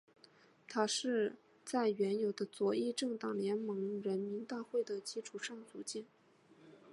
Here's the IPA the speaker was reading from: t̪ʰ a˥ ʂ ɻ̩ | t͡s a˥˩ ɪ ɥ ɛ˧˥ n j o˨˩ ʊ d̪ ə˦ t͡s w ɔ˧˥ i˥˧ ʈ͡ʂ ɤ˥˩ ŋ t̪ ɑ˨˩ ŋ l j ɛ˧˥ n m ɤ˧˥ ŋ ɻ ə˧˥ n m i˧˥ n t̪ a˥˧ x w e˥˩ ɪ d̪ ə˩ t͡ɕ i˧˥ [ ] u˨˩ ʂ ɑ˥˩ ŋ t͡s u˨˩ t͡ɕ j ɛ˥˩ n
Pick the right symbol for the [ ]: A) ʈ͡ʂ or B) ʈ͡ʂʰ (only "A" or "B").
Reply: B